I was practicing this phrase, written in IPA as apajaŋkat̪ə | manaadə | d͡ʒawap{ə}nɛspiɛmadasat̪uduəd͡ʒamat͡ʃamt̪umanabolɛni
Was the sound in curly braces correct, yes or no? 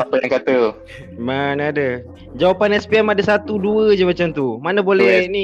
no